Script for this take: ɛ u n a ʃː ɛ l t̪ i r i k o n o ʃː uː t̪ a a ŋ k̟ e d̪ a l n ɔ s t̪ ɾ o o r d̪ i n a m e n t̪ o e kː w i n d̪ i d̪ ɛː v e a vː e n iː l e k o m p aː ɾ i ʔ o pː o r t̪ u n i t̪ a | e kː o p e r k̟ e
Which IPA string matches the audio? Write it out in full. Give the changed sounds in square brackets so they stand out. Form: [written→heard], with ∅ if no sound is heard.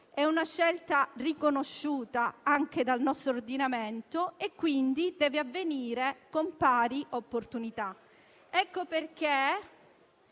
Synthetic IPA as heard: ɛ u n a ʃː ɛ l t̪ [i→a] r i k o n o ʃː uː t̪ a a ŋ k̟ e d̪ a l n ɔ s t̪ ɾ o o r d̪ i n a m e n t̪ o e kː w i n d̪ i d̪ ɛː v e a vː e n iː [l→ɾ] e k o m p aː ɾ i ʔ o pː o r t̪ u n i t̪ a | [e→ɛ] kː o p e r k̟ e

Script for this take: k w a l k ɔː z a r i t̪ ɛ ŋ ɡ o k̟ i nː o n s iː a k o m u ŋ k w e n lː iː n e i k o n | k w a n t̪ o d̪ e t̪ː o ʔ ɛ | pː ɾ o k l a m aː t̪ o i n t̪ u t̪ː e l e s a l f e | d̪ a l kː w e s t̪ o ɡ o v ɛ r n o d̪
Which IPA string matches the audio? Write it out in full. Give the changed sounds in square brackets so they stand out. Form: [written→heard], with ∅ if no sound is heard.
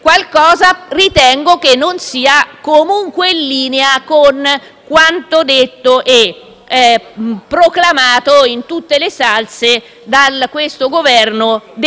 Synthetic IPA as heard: k w a l k ɔː z a r i t̪ ɛ ŋ ɡ o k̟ [i→e] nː o n s iː a k o m u ŋ k w e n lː iː n e [i→a] k o n | k w a n t̪ o d̪ e t̪ː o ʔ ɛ | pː ɾ o k l a m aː t̪ o i n t̪ u t̪ː e l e s a l [f→s] e | d̪ a l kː w e s t̪ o ɡ o v ɛ r n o d̪

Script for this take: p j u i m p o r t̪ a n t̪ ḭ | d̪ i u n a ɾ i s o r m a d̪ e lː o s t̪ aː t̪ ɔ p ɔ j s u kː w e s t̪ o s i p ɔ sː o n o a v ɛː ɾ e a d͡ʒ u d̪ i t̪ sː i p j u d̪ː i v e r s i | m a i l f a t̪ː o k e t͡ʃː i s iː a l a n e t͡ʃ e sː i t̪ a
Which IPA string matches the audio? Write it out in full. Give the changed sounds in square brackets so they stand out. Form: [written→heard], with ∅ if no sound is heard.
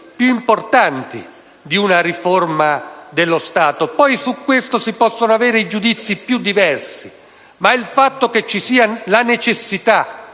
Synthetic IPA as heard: p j u i m p o r t̪ a n t̪ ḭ | d̪ i u n a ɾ i [s→f] o r m a d̪ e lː o s t̪ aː t̪ [ɔ→o] p ɔ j s u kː w e s t̪ o s i p ɔ sː o n o a v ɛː ɾ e [a→i] d͡ʒ u d̪ i t̪ sː i p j u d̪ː i v [e→ɛ] r s i | m a i l f a t̪ː o k e t͡ʃː i s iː a l a n e t͡ʃ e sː i t̪ a

